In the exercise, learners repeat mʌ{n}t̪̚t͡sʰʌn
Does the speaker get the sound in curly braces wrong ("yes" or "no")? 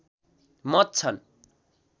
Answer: yes